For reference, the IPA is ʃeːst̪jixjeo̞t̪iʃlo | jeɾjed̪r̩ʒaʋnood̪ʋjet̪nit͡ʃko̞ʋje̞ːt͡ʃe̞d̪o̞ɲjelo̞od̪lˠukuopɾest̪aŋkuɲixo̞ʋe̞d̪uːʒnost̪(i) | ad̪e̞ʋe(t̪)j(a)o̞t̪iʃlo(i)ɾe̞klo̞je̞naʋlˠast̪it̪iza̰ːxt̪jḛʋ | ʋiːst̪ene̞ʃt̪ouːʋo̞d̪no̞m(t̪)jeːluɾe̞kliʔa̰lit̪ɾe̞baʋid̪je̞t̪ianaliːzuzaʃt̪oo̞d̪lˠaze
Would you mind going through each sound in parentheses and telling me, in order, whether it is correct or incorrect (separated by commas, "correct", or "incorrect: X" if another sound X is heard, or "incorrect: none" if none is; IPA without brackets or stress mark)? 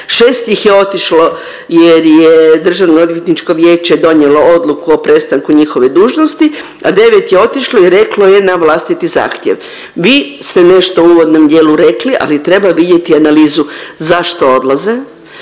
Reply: correct, correct, incorrect: e, correct, incorrect: d̪